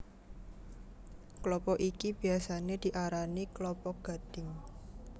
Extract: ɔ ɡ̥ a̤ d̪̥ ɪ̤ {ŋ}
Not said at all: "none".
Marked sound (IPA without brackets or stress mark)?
ŋ